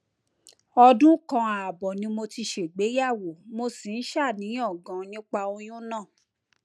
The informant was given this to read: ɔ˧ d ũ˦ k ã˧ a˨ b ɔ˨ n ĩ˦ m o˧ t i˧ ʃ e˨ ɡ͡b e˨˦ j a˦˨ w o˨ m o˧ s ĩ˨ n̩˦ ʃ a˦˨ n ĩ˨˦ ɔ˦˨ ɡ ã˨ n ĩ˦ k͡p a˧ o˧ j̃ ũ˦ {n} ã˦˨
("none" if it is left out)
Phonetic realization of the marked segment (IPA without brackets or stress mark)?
n